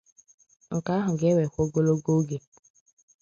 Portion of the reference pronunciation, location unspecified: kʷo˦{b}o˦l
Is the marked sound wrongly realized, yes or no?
yes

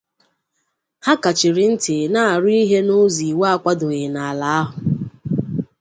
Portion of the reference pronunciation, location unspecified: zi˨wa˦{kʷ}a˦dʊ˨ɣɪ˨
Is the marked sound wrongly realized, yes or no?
no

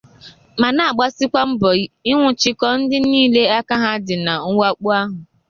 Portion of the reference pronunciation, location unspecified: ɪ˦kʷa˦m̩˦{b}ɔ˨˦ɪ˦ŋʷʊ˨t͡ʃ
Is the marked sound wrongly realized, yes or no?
no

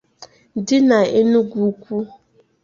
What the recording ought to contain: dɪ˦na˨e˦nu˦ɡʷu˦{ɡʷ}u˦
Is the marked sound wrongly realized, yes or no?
yes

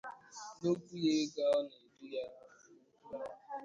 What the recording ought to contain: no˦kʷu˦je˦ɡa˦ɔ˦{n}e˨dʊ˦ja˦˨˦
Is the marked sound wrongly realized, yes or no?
no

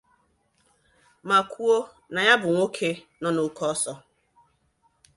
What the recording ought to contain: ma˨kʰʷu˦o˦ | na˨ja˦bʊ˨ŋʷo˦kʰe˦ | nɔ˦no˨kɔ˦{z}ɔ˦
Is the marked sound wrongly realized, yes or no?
yes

